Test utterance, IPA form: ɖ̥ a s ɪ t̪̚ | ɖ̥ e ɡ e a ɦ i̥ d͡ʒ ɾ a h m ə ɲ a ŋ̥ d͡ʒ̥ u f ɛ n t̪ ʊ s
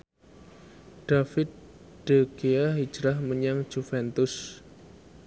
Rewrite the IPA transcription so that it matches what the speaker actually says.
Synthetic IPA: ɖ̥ a f ɪ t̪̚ | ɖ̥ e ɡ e a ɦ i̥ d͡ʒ ɾ a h m ə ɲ a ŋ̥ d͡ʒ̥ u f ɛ n t̪ ʊ s

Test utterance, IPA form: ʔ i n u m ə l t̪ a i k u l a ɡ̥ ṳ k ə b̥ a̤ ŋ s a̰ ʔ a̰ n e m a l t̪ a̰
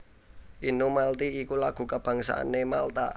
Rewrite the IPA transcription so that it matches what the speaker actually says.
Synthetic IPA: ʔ i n u m a l t̪ i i k u l a ɡ̥ ṳ k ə b̥ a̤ ŋ s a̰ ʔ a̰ n e m a l t̪ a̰

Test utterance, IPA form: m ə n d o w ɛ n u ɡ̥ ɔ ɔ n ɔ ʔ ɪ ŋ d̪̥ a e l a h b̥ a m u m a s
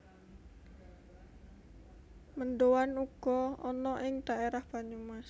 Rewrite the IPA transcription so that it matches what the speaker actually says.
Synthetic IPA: m ə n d o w a n u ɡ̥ ɔ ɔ n ɔ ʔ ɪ ŋ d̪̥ a e ɾ a h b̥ a ɲ u m a s

